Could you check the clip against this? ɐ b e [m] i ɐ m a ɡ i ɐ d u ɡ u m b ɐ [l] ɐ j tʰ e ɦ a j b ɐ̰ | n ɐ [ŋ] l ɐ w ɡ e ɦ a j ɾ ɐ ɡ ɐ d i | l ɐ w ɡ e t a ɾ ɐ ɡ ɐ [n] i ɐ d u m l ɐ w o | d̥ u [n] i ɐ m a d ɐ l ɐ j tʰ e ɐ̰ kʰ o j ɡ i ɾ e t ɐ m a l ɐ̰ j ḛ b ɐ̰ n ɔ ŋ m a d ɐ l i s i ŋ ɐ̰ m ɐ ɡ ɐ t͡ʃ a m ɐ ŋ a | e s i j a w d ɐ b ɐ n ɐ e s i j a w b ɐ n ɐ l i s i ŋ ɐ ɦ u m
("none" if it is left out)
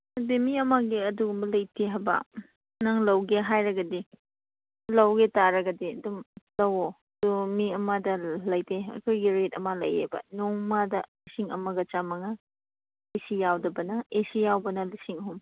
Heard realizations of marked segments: m, l, ŋ, d, m

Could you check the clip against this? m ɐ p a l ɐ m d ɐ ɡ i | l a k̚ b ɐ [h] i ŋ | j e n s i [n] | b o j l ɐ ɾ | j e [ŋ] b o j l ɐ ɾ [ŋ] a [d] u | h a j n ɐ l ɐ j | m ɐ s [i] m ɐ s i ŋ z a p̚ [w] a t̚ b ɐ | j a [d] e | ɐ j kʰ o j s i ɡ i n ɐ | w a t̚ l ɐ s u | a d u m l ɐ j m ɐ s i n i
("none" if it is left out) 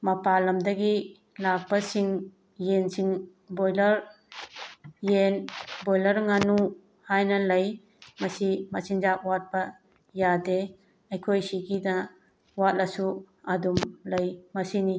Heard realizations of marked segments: s, ŋ, n, ŋ, n, i, w, d

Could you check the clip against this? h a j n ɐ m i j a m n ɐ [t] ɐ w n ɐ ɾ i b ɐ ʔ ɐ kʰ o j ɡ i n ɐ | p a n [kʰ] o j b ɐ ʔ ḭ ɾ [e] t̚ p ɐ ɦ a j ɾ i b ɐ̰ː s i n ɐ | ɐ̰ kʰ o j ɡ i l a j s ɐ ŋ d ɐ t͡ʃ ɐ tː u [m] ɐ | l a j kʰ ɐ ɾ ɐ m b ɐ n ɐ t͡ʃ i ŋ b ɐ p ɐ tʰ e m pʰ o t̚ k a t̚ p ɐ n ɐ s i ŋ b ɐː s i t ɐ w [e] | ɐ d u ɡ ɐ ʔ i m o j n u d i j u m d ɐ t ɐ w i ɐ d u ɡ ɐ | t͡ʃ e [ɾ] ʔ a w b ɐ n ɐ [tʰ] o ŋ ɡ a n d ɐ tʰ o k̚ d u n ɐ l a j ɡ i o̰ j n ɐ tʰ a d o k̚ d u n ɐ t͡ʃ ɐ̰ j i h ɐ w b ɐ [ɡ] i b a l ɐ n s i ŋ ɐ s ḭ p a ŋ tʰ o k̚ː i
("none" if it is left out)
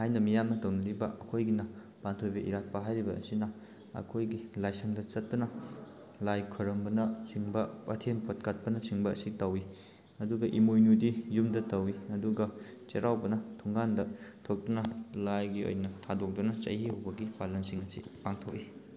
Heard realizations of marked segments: t, tʰ, a, n, i, ɾ, tʰ, ɡ

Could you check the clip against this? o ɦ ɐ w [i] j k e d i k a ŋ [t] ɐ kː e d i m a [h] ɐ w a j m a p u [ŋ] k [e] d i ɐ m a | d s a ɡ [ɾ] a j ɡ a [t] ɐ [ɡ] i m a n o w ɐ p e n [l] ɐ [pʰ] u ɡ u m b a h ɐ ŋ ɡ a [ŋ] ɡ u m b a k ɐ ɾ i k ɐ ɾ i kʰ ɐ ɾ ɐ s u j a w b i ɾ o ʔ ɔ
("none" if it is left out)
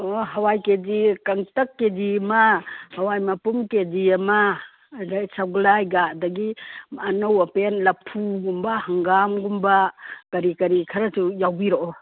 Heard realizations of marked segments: a, t, h, m, e, l, d, ɡ, l, pʰ, m

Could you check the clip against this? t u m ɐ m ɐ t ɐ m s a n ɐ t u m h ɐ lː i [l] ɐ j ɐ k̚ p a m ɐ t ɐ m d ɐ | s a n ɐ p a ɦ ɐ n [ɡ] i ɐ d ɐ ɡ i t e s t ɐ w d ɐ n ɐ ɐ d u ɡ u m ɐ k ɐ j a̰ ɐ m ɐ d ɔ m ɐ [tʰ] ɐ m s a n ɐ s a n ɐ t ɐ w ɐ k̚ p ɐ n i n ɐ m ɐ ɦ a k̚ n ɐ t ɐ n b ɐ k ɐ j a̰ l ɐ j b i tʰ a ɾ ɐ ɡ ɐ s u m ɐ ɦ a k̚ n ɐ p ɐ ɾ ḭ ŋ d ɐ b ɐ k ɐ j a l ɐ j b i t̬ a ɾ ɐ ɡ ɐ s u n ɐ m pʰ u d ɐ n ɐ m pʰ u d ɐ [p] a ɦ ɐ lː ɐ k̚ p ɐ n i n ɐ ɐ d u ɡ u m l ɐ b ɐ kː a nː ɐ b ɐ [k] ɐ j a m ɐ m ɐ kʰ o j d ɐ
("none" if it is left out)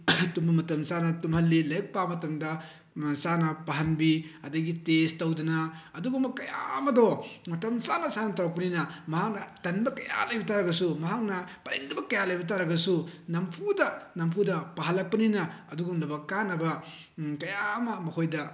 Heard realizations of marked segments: l, b, t, p, k

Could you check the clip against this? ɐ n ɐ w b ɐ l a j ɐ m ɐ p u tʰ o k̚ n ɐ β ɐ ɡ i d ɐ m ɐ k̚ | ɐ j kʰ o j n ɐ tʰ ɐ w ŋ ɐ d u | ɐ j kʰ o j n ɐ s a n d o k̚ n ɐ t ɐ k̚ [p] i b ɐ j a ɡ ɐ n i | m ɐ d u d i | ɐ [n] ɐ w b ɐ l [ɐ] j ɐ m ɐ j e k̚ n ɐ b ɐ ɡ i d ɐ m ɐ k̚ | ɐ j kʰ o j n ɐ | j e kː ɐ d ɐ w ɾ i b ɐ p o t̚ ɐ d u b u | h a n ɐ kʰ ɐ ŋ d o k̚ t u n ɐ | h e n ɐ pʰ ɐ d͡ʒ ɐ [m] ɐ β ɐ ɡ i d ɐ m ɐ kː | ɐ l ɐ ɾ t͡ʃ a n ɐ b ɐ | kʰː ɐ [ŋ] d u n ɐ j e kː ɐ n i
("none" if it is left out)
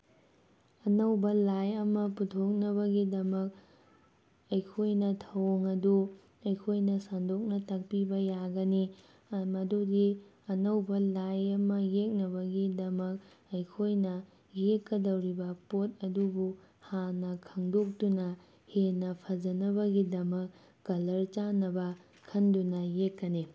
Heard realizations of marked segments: p, n, a, n, n

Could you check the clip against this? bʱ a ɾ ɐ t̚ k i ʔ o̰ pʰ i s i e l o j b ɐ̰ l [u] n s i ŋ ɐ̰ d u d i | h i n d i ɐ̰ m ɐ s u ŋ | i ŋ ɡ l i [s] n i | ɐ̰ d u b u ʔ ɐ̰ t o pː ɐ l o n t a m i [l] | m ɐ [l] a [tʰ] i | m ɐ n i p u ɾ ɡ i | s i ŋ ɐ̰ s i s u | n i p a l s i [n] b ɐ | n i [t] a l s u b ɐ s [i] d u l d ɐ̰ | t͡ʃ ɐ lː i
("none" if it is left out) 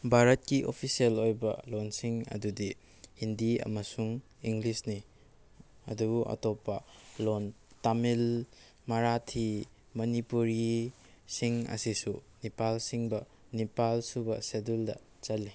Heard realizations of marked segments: o, s, l, ɾ, tʰ, ŋ, p, e

